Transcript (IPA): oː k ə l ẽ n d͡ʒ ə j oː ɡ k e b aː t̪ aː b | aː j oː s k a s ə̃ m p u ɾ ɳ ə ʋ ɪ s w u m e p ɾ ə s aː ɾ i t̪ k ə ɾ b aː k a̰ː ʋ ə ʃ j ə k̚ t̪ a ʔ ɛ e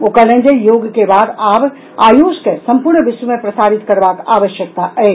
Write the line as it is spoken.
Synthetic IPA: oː k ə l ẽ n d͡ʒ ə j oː ɡ k e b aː d̪ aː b | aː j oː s k e s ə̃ m p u ɾ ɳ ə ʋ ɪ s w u m e p ɾ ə s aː ɾ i t̪ k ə ɾ b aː k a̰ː ʋ ə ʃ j ə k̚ t̪ a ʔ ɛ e